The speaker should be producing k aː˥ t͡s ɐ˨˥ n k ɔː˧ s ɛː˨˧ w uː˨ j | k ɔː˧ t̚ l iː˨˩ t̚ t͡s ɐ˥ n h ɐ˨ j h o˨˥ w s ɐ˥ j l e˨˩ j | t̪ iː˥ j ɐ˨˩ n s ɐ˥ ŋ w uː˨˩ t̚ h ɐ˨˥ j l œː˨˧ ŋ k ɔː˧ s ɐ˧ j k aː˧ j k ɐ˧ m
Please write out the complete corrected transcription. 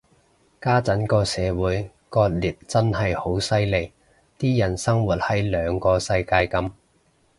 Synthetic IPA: k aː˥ t͡s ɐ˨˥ n k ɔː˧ s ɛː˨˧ w uː˨˥ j | k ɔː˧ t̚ l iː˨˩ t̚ t͡s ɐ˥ n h ɐ˨ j h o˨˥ w s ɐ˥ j l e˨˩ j | t̪ iː˥ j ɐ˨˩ n s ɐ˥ ŋ w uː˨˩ t̚ h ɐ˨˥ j l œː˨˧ ŋ k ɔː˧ s ɐ˧ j k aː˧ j k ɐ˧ m